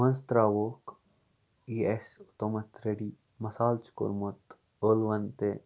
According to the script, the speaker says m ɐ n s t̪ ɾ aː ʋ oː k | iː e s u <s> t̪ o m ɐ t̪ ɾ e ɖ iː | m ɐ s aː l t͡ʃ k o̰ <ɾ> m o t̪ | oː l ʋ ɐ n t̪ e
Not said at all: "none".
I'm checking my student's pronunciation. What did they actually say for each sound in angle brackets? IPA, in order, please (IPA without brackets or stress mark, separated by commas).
none, ɾ